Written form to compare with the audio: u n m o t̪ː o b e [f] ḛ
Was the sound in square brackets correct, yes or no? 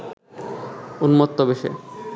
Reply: no